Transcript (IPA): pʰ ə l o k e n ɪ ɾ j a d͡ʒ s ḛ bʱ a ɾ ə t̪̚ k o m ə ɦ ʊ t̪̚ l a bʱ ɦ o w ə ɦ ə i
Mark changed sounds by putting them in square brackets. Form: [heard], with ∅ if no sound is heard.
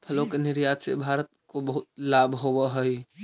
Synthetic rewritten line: pʰ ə l o k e n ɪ ɾ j a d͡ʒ s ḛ bʱ a ɾ ə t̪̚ k o [b] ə ɦ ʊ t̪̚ l a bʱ ɦ o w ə ɦ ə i